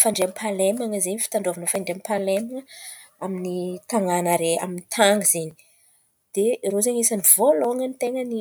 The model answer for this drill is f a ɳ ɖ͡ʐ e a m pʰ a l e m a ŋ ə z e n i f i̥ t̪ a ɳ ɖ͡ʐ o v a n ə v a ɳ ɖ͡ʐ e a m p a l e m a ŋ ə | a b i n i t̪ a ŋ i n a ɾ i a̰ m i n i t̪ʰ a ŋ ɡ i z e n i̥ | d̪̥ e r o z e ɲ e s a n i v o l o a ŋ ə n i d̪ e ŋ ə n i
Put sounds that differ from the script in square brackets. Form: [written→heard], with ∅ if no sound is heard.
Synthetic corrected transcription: f a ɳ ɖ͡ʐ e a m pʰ a l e m a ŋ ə z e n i f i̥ t̪ a ɳ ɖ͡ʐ o v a n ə [v→f] a ɳ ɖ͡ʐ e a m p a l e m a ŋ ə | a [b→m] i n i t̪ a ŋ [i→a] n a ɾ [i→e] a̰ m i n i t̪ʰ a ŋ ɡ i z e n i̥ | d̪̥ e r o z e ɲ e s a n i v o l o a ŋ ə n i [d̪→t̪] e ŋ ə n i